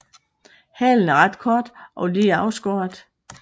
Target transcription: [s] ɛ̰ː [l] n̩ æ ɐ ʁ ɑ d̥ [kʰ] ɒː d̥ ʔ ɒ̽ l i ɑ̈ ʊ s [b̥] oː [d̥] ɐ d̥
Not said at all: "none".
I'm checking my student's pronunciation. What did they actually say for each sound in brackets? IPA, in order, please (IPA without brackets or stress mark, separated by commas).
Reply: h, l, kʰ, ɡ̥, none